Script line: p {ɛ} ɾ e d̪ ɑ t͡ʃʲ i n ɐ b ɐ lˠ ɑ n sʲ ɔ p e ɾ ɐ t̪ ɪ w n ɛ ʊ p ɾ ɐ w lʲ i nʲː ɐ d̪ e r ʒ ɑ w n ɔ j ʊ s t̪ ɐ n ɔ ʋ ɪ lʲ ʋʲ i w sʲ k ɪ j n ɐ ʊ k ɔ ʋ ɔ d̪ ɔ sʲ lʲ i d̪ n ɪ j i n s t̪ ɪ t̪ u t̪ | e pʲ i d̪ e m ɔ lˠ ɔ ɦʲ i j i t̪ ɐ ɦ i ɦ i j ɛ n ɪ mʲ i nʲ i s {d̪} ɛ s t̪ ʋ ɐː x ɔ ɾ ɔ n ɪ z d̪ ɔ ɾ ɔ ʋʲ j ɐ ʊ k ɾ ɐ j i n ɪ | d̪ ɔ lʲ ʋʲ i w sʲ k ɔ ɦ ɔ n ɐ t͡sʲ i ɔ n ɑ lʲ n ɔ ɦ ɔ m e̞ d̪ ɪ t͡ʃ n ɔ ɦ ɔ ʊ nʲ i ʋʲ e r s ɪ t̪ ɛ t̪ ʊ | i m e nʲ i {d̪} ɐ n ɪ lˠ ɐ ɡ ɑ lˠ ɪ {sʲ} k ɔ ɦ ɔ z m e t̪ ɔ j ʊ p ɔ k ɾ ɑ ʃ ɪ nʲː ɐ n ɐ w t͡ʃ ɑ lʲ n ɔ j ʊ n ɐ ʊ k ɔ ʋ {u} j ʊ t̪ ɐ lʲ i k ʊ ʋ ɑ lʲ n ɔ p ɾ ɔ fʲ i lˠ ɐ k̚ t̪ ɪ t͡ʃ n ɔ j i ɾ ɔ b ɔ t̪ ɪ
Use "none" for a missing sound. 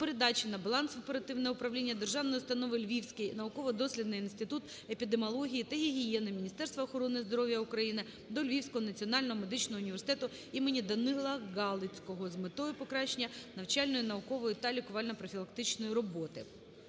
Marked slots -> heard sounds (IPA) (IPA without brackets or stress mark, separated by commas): e, t̪, d̪, t͡sʲ, ɔ